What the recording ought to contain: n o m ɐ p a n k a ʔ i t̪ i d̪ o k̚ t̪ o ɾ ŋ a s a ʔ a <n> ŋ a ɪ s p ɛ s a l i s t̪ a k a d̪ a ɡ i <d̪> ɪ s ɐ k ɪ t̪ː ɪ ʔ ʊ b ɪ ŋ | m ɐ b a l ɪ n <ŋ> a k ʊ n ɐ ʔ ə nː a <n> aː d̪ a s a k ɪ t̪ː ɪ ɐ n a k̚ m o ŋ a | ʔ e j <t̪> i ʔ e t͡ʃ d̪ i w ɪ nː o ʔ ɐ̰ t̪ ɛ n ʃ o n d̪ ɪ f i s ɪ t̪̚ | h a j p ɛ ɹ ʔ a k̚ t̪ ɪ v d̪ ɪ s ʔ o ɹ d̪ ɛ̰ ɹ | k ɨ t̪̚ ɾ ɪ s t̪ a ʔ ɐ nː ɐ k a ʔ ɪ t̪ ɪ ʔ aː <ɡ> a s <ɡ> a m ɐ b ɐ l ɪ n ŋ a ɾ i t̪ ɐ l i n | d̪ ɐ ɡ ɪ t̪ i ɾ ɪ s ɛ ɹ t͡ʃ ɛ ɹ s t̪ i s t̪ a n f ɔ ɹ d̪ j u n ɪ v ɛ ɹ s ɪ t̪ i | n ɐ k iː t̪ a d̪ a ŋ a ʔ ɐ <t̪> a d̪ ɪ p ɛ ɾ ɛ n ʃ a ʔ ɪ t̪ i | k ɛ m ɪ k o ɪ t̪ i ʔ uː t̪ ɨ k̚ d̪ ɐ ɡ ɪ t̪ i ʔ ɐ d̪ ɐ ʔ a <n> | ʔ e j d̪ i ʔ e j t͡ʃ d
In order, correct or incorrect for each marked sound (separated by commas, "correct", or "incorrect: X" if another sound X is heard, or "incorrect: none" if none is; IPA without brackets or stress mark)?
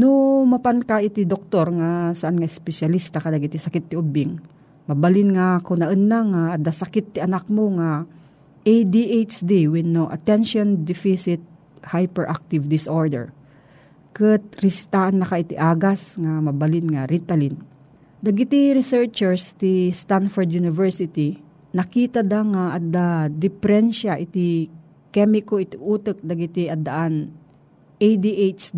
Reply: correct, incorrect: t̪, correct, incorrect: ŋ, incorrect: d̪, correct, incorrect: ŋ, incorrect: d̪, correct